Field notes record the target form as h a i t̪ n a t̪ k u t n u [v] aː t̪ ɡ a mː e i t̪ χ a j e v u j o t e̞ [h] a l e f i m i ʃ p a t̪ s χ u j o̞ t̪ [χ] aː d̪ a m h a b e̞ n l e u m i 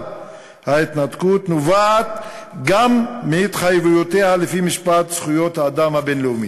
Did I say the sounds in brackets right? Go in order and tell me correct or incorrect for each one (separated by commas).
correct, correct, incorrect